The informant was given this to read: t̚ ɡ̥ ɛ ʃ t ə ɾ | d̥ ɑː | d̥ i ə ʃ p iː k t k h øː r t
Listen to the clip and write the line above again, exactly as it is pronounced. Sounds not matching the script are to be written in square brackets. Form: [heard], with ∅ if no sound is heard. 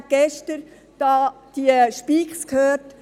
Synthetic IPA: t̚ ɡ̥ ɛ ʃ t ə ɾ | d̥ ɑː | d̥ i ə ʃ p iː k [s] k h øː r t